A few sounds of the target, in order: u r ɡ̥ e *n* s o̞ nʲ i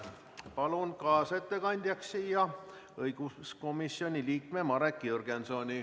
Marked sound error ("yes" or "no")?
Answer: no